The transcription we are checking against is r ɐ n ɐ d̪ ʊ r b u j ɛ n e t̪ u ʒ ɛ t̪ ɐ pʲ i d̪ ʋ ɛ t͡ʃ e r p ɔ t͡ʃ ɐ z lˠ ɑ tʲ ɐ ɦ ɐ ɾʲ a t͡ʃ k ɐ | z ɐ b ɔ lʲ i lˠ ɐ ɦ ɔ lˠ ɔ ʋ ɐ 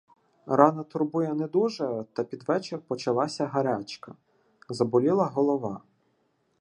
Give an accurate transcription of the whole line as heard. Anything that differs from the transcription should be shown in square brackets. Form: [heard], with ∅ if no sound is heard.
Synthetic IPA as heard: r [ɑ] n ɐ [t̪] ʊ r b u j ɛ n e [d̪] u ʒ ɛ t̪ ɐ pʲ i d̪ ʋ ɛ t͡ʃ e r p ɔ t͡ʃ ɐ [∅] lˠ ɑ [sʲ] ɐ ɦ ɐ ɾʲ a t͡ʃ k ɐ | z ɐ b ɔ lʲ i lˠ ɐ ɦ ɔ lˠ ɔ ʋ [ɑ]